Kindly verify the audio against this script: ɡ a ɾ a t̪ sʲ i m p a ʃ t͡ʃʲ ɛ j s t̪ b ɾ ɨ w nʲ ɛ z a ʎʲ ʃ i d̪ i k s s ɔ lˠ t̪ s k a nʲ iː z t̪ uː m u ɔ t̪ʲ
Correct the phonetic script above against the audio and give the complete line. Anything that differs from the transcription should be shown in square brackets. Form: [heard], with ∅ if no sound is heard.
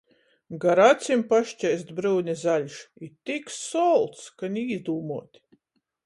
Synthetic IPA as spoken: ɡ a ɾ a t̪ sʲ i m p a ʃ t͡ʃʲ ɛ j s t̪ b ɾ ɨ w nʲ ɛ z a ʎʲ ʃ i [t̪] i k s s ɔ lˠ t̪ s k a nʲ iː z [d̪] uː m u ɔ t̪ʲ